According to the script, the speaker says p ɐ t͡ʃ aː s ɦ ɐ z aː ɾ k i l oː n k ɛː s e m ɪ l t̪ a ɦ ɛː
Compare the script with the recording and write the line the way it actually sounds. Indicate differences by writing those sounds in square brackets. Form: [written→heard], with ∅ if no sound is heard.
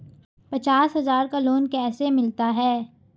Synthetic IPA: p ɐ t͡ʃ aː s ɦ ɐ z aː ɾ k [i→a] l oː n k ɛː s e m ɪ l t̪ a ɦ ɛː